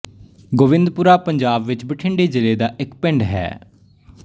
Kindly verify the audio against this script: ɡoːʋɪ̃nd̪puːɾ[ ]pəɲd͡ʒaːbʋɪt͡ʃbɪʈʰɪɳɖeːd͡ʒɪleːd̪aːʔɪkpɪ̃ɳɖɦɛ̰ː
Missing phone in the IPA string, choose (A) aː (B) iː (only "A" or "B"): A